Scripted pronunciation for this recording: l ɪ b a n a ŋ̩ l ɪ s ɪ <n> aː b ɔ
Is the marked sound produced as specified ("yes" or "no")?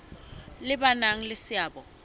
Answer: no